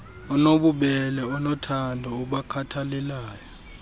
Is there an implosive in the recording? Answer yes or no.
yes